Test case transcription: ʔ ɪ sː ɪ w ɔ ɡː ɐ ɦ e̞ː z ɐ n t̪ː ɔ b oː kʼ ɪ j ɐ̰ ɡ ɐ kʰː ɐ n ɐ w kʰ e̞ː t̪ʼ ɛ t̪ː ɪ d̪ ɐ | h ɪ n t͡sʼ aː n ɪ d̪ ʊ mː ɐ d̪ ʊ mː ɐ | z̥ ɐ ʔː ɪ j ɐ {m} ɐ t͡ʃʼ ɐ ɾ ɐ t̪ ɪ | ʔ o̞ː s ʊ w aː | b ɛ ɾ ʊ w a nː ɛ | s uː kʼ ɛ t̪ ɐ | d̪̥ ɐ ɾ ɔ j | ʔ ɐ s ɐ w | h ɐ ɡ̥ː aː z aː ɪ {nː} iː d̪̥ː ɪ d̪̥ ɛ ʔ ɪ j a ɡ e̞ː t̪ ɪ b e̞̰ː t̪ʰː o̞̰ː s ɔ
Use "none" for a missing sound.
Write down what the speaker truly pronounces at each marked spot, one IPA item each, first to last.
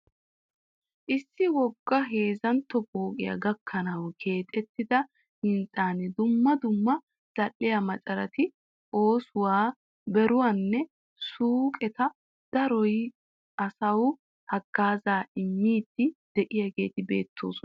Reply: m, mː

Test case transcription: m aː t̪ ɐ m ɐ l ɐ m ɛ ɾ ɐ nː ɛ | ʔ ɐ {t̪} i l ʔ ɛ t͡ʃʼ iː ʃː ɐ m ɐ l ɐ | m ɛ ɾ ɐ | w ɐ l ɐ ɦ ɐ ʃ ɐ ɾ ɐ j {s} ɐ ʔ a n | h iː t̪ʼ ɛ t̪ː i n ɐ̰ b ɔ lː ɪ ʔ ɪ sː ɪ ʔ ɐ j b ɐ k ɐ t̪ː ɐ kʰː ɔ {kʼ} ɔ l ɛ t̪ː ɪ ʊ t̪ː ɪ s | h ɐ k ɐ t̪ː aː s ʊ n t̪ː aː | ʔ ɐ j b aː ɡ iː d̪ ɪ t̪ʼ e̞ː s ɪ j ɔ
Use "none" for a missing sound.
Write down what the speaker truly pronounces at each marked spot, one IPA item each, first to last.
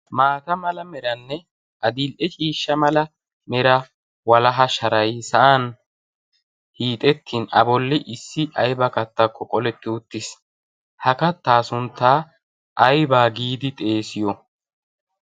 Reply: d̪, s, kʼ

